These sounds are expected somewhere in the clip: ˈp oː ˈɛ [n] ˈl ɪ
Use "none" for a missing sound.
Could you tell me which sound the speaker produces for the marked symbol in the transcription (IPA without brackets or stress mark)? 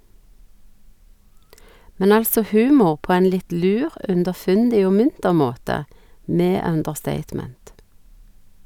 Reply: n